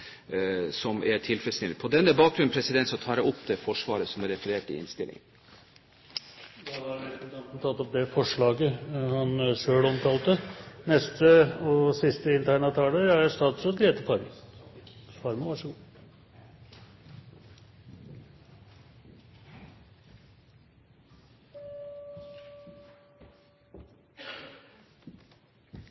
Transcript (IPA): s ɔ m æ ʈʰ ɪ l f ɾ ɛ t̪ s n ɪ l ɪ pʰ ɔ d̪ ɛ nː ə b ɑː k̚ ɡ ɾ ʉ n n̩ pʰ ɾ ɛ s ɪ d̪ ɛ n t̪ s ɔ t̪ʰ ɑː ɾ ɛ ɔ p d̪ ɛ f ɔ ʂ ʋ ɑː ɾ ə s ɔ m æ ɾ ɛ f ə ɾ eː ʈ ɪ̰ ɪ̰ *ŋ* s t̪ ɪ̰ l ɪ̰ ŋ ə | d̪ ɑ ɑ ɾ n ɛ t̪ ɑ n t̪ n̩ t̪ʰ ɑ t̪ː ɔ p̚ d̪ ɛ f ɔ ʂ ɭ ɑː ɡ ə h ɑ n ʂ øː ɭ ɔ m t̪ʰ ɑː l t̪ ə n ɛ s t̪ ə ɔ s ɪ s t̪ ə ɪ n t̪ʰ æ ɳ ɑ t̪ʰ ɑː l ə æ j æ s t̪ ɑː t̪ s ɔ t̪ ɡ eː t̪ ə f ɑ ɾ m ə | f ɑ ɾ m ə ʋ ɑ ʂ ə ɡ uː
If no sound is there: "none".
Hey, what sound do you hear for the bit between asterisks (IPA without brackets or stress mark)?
n